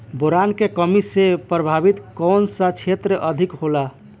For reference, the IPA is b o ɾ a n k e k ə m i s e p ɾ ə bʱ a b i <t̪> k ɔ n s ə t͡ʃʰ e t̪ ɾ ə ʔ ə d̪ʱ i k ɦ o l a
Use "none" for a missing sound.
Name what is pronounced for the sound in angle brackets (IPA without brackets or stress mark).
t̪